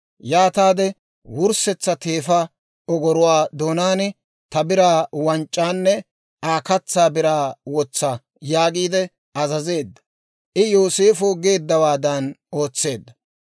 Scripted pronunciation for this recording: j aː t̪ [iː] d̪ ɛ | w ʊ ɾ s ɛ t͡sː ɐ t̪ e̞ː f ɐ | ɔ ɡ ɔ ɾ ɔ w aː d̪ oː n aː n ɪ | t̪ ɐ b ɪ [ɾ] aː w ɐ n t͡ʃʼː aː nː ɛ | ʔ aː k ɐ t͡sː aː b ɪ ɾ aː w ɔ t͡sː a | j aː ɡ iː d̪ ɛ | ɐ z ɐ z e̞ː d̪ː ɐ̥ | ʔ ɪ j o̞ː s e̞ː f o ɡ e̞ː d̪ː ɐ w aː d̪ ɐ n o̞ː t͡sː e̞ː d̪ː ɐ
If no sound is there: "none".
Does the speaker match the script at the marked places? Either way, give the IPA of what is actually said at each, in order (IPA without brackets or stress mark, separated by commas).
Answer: aː, ɾ